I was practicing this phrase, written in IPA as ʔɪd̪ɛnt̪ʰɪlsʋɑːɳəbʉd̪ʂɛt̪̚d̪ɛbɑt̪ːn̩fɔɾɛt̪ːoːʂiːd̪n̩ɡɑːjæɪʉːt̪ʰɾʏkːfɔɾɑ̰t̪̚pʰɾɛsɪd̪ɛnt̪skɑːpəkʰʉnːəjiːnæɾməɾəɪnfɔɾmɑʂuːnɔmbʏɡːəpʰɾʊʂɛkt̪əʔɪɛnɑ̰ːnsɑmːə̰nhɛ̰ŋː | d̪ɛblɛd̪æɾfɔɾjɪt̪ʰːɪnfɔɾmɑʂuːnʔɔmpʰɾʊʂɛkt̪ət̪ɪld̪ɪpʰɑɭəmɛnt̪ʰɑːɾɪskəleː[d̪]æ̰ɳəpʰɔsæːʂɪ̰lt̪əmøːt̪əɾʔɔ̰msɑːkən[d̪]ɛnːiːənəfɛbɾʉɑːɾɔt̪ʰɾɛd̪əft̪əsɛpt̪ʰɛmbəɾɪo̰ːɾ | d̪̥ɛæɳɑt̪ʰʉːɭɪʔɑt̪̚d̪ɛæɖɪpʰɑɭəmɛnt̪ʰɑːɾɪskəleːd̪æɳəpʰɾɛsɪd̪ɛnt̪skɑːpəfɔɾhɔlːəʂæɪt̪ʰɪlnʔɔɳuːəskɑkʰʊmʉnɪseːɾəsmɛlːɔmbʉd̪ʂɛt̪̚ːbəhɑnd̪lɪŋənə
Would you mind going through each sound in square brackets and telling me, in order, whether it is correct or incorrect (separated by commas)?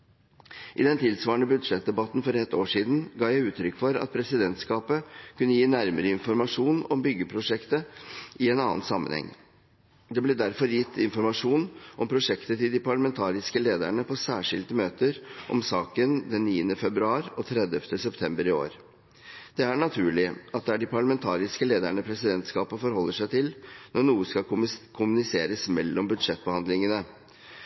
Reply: correct, correct